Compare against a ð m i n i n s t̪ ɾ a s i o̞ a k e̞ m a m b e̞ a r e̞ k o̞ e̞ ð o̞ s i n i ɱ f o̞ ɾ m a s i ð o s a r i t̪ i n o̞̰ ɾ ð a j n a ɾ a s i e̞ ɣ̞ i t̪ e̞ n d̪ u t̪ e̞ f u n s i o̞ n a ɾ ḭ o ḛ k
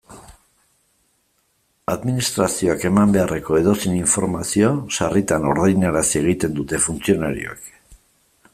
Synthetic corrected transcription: a ð m i n i s t̪ ɾ a s i o̞ a k e̞ m a m b e̞ a r e̞ k o̞ e̞ ð o̞ s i n i ɱ f o̞ ɾ m a s i o s a r i t̪ a n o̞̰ ɾ ð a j n a ɾ a s i e̞ ɣ̞ i t̪ e̞ n d̪ u t̪ e̞ f u n t͡s i o̞ n a ɾ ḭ o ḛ k